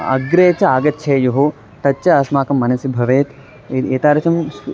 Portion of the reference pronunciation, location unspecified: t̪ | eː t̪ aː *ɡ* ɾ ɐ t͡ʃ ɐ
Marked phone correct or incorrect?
incorrect